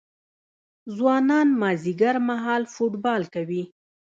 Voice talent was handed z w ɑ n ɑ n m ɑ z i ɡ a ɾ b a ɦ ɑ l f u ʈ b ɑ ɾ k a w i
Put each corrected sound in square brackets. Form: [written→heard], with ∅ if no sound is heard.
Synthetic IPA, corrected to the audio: z w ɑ n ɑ n m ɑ z i ɡ a ɾ [b→m] a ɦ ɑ l f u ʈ b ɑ [ɾ→l] k a w i